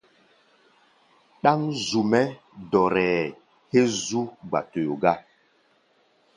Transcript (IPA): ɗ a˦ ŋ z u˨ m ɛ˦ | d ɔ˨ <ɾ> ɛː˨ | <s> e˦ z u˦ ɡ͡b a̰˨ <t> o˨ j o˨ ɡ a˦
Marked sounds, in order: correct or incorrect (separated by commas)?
correct, incorrect, correct